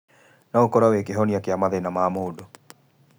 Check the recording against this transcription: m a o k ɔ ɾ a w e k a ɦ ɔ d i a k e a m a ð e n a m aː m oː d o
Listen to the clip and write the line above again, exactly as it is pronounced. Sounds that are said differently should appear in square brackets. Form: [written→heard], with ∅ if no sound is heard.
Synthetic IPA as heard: [m→n] a o k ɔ ɾ a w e k [a→e] ɦ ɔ [d→n] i a k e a m a ð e n a m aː m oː d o